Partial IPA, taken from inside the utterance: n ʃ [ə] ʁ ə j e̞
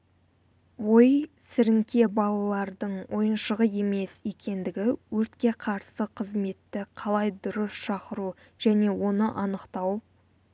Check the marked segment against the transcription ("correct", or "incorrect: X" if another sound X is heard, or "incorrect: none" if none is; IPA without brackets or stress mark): correct